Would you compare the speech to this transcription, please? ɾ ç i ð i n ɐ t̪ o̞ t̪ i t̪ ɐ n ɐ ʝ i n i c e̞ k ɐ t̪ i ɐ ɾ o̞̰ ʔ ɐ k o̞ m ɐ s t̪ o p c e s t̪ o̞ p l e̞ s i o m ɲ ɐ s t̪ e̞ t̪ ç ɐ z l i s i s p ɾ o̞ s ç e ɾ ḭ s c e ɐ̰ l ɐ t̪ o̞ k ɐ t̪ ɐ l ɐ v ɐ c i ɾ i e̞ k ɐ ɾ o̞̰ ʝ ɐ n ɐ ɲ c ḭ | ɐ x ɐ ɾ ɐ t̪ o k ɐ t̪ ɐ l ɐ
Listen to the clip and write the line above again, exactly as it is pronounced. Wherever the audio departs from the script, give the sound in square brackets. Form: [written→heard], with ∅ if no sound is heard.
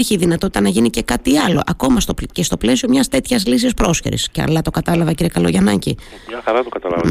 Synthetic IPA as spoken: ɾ ç i ð i n ɐ t̪ o̞ t̪ i t̪ ɐ n ɐ ʝ i n i c e̞ k ɐ t̪ i ɐ [ɾ→l] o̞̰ ʔ ɐ k o̞ m ɐ s t̪ o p c e s t̪ o̞ p l e̞ s i o m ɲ ɐ s t̪ e̞ t̪ ç ɐ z l i s i s p ɾ o̞ s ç e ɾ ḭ s c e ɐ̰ l ɐ t̪ o̞ k ɐ t̪ ɐ l ɐ v ɐ c i ɾ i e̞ k ɐ [ɾ→l] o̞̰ ʝ ɐ n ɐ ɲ c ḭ | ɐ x ɐ ɾ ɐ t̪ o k ɐ t̪ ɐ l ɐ